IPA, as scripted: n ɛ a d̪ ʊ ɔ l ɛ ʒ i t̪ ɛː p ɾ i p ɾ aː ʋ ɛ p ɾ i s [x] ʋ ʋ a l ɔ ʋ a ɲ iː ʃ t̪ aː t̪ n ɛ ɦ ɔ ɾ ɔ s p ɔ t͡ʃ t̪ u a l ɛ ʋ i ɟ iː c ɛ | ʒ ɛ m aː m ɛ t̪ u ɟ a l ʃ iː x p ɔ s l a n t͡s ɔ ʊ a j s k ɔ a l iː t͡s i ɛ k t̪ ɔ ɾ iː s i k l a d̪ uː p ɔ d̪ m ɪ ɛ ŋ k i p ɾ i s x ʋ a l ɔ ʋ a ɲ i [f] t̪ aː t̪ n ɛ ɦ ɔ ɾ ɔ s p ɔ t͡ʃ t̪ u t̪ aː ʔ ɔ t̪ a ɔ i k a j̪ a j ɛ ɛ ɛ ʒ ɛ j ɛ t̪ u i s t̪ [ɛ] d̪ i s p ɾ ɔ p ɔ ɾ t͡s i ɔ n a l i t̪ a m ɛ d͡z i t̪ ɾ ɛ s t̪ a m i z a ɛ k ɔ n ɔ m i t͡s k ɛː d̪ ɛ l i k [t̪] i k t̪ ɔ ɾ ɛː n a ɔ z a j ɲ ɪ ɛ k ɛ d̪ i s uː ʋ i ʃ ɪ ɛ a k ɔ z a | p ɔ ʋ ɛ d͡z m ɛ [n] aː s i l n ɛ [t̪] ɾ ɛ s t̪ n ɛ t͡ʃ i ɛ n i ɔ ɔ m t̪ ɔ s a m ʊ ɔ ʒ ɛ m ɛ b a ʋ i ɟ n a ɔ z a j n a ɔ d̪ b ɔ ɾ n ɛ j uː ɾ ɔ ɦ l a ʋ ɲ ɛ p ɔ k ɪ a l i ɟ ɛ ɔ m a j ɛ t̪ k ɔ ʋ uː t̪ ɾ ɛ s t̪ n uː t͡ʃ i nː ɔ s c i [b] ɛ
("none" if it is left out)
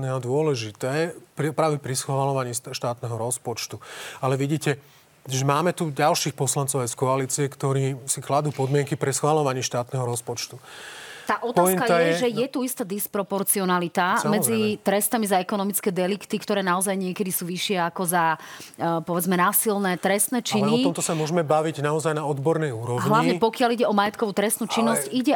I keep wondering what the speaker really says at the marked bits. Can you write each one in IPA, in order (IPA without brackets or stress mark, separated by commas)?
x, ʃ, a, t̪, n, t̪, ɟ